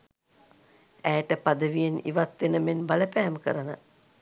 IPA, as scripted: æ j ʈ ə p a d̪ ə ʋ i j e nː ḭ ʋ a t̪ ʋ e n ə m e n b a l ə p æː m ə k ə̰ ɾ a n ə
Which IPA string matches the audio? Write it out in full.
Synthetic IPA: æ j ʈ ə p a d̪ ə ʋ i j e n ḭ ʋ a t̪ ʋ e n ə m e n b a l ə p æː m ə k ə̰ ɾ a n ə